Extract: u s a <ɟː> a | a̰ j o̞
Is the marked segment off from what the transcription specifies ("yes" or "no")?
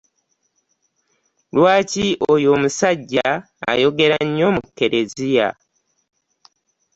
no